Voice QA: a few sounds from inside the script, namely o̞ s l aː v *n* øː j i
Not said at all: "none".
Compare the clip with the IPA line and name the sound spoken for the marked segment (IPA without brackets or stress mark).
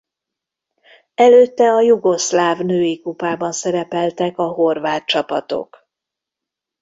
n